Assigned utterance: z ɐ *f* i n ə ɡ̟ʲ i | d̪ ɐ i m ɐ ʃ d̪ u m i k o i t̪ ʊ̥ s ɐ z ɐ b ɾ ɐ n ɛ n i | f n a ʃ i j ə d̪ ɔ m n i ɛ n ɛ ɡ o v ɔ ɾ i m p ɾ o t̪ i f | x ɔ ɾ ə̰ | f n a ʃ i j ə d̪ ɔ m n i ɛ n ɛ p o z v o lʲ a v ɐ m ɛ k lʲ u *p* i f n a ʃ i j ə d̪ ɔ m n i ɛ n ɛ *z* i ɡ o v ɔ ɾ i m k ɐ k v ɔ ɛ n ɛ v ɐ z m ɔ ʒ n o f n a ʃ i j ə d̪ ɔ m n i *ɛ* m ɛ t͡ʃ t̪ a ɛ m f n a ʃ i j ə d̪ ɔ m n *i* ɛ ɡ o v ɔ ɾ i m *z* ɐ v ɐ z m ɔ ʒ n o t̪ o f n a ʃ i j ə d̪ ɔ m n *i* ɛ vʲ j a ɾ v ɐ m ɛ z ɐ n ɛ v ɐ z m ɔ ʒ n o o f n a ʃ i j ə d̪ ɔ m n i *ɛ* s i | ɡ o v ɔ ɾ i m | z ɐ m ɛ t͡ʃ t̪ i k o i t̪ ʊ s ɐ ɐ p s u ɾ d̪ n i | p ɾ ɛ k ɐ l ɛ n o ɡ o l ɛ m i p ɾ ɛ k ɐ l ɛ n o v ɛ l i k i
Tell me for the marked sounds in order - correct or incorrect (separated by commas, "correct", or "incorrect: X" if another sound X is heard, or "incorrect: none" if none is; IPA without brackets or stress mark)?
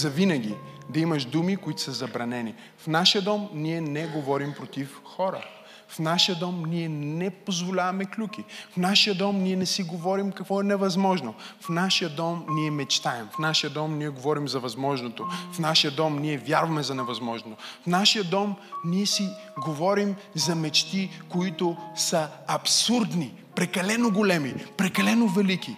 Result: incorrect: v, incorrect: k, incorrect: s, correct, correct, correct, correct, correct